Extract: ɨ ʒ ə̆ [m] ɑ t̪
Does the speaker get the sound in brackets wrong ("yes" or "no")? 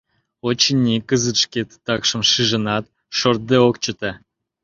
yes